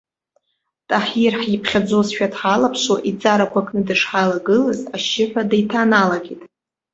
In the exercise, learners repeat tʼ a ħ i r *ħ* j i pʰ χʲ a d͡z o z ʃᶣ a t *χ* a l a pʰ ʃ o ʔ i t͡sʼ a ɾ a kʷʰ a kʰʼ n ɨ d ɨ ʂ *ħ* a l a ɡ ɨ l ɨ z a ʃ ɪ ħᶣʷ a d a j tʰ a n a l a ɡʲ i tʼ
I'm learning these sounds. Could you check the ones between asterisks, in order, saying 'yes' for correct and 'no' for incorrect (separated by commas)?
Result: yes, no, yes